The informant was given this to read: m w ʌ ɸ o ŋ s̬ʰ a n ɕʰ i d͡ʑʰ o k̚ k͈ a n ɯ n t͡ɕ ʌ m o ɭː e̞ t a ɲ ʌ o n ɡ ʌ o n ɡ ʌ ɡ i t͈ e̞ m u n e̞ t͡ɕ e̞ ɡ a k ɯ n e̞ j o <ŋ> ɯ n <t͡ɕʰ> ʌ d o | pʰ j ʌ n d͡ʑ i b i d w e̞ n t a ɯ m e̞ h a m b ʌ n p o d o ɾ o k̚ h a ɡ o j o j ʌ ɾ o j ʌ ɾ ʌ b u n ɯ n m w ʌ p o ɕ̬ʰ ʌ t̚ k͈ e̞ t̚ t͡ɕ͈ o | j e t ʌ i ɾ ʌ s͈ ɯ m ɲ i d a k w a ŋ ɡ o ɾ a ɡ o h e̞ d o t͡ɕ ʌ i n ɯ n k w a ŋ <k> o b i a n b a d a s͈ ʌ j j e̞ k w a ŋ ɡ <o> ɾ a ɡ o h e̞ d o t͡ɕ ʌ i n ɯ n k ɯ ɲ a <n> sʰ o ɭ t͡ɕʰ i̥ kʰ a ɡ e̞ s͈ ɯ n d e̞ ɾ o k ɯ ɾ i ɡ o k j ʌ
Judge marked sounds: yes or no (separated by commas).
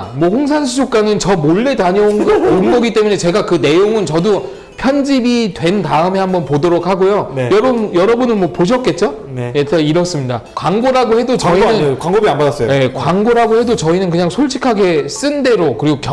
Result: yes, no, no, yes, no